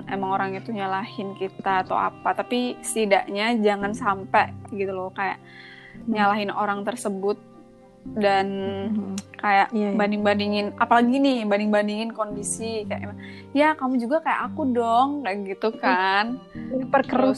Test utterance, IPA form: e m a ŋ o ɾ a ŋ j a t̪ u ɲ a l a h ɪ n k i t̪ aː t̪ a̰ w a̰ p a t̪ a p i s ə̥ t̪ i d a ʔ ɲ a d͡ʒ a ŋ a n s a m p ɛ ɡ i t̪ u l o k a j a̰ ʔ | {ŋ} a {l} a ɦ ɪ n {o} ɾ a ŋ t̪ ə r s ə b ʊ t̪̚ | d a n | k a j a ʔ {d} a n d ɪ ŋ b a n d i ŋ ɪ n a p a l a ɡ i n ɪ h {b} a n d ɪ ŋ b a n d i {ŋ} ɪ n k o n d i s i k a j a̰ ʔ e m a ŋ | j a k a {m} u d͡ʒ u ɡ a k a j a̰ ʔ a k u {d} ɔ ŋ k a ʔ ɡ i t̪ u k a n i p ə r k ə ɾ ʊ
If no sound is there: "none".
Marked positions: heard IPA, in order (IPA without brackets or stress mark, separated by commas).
ɲ, l, o, b, b, ŋ, m, d